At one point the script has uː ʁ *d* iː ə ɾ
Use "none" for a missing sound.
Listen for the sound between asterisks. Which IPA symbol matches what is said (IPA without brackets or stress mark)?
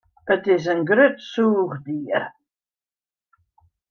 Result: d